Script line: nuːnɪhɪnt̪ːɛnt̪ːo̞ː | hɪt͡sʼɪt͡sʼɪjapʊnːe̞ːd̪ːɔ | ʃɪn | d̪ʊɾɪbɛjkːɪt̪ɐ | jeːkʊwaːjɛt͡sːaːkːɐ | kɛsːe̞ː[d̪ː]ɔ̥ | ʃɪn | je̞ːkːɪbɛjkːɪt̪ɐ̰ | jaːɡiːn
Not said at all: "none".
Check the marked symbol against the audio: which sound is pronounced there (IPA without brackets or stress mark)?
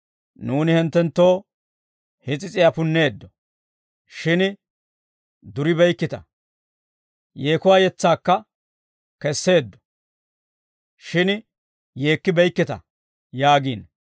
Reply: d̪ː